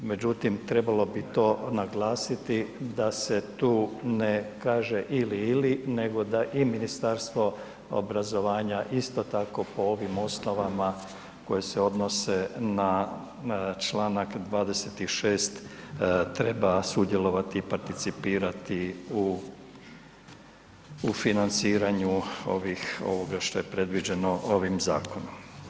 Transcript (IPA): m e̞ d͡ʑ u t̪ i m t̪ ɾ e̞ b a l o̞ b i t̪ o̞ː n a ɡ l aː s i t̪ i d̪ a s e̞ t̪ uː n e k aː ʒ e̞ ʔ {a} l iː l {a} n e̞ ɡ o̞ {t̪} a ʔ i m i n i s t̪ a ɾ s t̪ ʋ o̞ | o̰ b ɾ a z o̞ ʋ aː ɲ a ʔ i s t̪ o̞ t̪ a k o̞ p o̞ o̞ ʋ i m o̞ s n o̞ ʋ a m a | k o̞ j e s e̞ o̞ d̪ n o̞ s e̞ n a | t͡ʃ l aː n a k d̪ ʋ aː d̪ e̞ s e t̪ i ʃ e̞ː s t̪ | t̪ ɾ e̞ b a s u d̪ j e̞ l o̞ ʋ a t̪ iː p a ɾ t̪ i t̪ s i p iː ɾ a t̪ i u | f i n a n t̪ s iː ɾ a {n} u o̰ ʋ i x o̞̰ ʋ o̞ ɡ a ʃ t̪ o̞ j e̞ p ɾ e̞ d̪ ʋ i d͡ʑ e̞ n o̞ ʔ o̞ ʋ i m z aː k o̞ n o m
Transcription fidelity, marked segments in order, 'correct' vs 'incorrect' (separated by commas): incorrect, incorrect, incorrect, incorrect